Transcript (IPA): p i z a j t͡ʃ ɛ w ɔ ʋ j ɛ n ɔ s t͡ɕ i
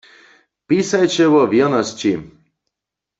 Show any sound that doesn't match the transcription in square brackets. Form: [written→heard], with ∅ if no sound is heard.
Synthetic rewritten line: p i [z→s] a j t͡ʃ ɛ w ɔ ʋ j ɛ n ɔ s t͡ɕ i